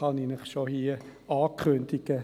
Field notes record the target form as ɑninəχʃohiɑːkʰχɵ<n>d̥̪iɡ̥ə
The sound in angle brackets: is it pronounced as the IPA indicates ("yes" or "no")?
yes